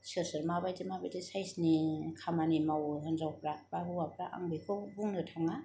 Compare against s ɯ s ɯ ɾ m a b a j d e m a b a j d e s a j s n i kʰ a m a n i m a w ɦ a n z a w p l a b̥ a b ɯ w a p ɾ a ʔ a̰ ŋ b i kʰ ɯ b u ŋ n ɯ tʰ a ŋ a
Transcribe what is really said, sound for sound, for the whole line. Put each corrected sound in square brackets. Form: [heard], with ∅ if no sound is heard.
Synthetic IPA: s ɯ s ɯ ɾ m a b a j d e m a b a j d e s a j s n i kʰ a m a n i m a w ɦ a n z a w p [ɾ] a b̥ a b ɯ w a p ɾ a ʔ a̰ ŋ b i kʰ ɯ b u ŋ n ɯ tʰ a ŋ a